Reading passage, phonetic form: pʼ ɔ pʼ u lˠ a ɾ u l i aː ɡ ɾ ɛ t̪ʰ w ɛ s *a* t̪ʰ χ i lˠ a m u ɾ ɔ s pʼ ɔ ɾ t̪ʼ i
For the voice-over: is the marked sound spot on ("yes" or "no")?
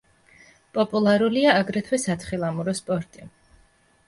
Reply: yes